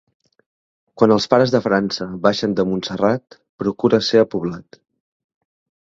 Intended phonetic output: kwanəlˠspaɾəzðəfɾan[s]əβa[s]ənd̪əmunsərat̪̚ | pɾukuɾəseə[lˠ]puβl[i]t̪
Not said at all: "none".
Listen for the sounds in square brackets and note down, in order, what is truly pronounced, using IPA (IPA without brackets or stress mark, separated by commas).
s, ʃ, none, a